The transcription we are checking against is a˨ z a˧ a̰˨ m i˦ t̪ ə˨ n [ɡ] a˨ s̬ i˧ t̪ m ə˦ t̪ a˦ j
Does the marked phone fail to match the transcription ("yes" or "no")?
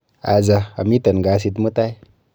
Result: no